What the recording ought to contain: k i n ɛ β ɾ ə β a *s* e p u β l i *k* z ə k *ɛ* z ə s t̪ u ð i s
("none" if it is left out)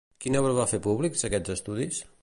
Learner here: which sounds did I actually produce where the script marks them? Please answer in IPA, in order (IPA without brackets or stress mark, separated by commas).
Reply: f, k, ɛ